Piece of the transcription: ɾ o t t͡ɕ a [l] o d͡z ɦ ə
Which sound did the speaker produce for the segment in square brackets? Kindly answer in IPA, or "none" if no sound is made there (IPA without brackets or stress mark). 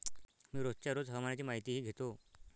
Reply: ɾ